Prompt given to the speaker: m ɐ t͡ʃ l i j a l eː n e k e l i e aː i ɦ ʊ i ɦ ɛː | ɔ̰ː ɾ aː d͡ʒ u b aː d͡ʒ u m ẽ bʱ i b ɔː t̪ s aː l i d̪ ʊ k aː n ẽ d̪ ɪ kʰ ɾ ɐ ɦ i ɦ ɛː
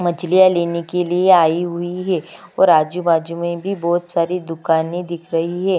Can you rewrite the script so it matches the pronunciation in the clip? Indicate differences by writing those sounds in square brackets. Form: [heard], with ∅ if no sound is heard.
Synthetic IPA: m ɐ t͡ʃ l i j a l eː n e k e l i e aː i ɦ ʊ i ɦ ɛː | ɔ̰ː ɾ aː d͡ʒ u b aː d͡ʒ u m ẽ bʱ i b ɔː t̪ s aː [ɾ] i d̪ ʊ k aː n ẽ d̪ ɪ kʰ ɾ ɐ ɦ i ɦ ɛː